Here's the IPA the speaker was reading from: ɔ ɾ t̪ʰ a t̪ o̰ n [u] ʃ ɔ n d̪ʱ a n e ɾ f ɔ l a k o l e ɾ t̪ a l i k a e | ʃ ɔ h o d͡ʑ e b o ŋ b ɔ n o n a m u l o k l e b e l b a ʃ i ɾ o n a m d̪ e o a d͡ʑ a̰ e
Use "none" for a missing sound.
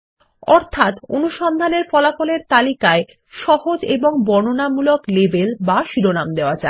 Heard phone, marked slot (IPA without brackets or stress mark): u